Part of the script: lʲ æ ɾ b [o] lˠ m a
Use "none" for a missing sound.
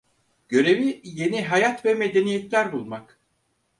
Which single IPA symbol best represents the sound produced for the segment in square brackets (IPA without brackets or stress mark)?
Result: u